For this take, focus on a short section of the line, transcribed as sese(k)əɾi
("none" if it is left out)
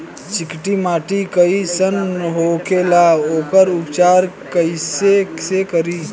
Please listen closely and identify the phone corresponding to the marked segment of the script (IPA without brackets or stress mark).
k